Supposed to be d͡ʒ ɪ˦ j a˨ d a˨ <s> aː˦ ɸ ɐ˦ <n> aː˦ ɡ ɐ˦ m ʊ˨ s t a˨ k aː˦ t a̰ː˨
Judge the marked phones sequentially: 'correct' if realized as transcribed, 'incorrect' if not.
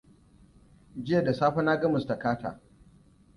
correct, correct

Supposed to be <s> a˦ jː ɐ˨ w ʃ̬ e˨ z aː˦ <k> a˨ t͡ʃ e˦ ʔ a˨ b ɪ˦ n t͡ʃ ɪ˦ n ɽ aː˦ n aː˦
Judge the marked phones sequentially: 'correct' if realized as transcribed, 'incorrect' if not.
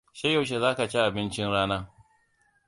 incorrect: ʃ, correct

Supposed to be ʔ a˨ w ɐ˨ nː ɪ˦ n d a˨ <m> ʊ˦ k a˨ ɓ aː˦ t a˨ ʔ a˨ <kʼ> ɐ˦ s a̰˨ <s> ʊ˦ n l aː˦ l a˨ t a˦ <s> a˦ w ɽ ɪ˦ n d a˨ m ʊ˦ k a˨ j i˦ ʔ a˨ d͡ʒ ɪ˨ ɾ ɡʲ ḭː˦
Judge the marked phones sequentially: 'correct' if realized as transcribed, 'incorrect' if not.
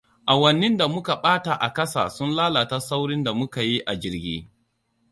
correct, incorrect: k, correct, correct

